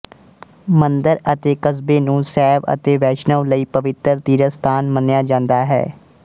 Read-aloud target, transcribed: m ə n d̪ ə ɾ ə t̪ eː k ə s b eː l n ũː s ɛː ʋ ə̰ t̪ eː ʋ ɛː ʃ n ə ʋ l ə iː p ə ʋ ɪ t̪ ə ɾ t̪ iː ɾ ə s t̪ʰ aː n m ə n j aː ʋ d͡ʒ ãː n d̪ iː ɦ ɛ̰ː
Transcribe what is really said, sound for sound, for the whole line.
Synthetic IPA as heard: m ə n d̪ ə ɾ ə t̪ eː k ə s b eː n ũː s ɛː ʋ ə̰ t̪ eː ʋ ɛː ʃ n ə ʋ l ə iː p ə ʋ ɪ t̪ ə ɾ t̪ iː ɾ ə s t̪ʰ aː n m ə n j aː d͡ʒ ãː n d̪ aː ɦ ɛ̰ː